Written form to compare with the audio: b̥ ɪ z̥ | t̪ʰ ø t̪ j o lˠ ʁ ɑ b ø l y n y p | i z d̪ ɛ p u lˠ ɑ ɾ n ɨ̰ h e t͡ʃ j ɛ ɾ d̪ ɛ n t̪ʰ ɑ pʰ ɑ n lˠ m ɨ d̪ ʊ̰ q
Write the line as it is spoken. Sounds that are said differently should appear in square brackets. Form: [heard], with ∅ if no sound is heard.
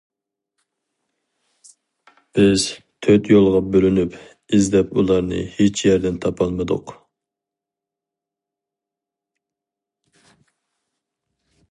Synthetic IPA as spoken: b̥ ɪ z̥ | t̪ʰ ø t̪ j o lˠ ʁ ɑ b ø l y n y p | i z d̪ ɛ p u lˠ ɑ ɾ n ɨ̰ h e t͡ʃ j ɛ ɾ d̪ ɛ n t̪ʰ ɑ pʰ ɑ [∅] lˠ m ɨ d̪ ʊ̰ q